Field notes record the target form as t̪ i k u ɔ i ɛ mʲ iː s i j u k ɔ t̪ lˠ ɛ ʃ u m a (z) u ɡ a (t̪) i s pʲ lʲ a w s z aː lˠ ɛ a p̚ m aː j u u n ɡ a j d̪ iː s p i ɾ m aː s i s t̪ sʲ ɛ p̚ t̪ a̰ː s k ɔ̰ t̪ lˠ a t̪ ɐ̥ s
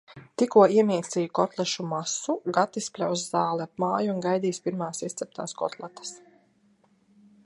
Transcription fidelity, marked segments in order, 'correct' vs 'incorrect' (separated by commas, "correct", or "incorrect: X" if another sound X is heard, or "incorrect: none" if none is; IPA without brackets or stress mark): incorrect: s, correct